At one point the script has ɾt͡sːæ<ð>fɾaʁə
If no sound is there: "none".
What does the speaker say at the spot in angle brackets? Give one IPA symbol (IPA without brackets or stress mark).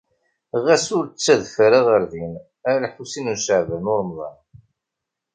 ð